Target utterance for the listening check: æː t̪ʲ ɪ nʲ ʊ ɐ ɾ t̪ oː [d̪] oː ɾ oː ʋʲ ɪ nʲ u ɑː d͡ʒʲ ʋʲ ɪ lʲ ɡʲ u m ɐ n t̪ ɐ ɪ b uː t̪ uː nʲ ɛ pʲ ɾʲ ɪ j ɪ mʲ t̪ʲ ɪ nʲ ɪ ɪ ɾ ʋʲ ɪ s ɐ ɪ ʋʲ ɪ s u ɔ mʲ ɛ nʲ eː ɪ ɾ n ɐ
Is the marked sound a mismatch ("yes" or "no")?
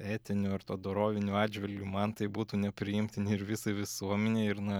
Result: no